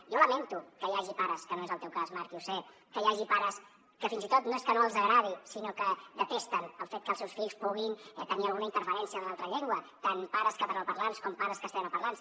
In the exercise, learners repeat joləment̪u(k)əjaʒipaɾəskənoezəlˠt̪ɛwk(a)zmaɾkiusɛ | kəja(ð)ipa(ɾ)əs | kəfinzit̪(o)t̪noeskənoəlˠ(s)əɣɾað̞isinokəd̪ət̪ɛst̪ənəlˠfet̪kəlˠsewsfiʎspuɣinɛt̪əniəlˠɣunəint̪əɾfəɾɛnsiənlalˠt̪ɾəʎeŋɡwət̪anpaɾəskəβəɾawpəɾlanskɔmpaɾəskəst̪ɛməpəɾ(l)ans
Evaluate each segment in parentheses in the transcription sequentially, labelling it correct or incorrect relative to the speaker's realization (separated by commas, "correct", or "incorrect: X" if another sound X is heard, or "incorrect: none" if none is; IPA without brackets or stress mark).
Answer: correct, correct, incorrect: ʒ, correct, correct, incorrect: z, correct